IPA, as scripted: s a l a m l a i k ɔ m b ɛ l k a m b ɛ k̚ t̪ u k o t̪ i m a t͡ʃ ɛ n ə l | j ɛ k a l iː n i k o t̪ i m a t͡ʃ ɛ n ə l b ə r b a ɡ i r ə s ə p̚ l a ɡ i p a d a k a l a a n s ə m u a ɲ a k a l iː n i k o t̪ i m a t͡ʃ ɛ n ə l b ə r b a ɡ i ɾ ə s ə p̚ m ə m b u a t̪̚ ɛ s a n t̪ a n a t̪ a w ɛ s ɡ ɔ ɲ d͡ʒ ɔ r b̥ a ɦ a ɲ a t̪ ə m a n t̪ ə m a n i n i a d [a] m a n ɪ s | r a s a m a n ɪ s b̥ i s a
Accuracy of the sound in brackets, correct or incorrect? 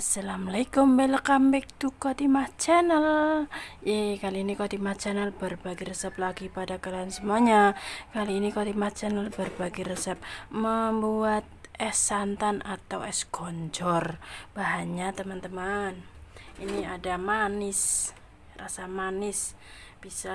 correct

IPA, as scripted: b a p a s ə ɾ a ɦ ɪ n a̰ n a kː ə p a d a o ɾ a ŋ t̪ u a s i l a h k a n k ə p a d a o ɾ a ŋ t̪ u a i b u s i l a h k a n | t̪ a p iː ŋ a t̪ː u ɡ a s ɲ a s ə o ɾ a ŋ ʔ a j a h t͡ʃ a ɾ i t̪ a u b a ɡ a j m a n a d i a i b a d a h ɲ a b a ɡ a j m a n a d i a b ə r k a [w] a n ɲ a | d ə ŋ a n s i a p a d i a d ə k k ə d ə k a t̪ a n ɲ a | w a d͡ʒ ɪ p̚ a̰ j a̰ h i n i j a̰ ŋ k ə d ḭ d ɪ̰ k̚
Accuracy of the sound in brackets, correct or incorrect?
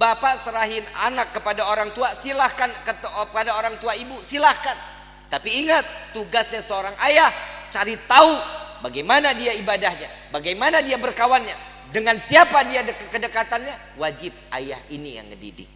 correct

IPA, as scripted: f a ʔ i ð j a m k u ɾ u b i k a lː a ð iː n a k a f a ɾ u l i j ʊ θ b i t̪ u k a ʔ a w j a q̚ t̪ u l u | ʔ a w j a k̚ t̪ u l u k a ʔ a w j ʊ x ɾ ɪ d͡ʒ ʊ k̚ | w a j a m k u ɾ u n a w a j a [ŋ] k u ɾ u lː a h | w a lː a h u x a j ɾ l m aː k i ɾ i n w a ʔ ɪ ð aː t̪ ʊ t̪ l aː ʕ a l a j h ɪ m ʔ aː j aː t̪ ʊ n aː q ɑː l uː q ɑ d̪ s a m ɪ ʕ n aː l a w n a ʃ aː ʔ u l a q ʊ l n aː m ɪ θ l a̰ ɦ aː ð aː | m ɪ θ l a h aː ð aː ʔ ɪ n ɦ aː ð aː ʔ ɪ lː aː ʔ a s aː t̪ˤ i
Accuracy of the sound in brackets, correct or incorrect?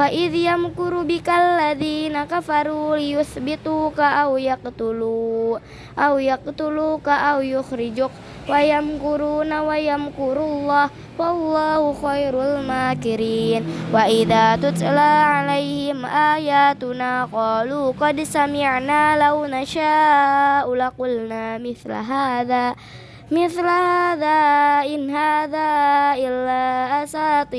incorrect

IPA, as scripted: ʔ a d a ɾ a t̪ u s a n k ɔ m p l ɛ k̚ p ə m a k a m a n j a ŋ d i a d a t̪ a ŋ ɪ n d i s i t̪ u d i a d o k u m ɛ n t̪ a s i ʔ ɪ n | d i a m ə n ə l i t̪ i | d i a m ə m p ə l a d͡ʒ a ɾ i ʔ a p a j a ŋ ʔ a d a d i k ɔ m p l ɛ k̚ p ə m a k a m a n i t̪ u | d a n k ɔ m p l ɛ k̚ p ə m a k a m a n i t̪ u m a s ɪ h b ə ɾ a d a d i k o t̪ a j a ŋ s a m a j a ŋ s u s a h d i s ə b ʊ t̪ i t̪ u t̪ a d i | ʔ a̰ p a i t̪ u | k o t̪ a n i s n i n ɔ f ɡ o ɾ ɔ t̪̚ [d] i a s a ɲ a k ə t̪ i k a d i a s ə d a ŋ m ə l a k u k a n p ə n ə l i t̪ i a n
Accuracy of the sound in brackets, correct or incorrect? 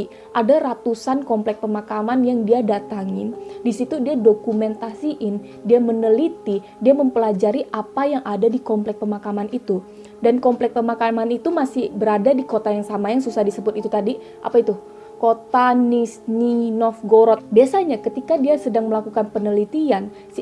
incorrect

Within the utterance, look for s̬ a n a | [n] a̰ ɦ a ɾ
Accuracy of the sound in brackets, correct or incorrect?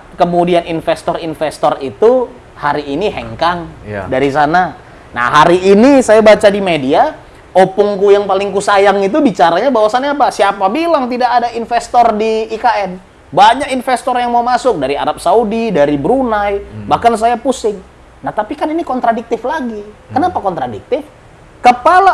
correct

